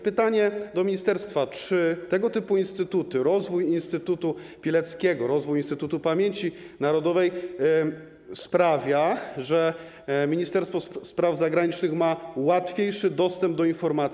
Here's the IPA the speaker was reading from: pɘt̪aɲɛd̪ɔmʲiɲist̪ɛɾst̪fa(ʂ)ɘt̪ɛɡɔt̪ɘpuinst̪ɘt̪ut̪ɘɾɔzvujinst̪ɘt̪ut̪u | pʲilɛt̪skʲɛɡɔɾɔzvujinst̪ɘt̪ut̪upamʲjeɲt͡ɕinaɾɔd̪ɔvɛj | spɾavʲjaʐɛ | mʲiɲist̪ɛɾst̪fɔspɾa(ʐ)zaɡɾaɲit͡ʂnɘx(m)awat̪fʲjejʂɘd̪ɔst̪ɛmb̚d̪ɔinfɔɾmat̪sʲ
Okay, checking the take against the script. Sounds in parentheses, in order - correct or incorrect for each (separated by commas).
incorrect, incorrect, correct